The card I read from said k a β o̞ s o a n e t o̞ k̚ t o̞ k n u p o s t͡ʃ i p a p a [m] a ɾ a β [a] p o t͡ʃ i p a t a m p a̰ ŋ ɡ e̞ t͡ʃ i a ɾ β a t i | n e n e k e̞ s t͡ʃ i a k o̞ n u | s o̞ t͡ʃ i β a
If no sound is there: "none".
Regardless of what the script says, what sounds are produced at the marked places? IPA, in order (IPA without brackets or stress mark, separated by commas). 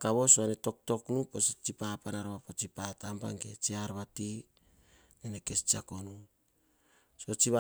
n, a